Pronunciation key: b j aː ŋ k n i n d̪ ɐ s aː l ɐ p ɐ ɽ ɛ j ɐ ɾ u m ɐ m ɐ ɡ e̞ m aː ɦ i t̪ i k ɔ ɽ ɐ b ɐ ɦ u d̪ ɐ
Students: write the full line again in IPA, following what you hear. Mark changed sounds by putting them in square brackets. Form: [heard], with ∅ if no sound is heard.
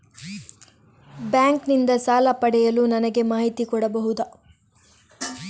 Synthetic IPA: b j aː ŋ k n i n d̪ ɐ s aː l ɐ p ɐ ɽ ɛ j ɐ [l] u [n] ɐ [n] ɐ ɡ e̞ m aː ɦ i t̪ i k ɔ ɽ ɐ b ɐ ɦ u d̪ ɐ